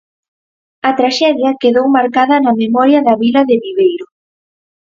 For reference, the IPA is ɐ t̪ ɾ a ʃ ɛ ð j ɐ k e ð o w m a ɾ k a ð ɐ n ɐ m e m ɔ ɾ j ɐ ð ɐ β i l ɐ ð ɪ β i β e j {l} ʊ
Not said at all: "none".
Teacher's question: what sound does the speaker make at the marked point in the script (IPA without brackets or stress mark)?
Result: ɾ